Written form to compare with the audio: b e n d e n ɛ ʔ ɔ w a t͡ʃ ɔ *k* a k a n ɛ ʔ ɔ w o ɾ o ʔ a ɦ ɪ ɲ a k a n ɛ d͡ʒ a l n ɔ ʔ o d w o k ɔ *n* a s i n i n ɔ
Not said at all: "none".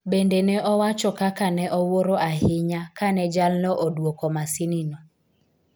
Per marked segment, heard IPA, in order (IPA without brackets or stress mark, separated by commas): k, m